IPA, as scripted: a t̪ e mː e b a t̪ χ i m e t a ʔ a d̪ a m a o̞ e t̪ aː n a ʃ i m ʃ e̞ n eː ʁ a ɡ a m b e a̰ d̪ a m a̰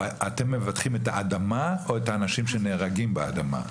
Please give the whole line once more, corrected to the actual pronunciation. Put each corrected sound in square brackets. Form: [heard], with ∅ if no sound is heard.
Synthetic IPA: a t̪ e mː e [v] a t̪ χ i m e t a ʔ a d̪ a m a o̞ e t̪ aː n a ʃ i m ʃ e̞ n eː ʁ a ɡ [i] m b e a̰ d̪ a m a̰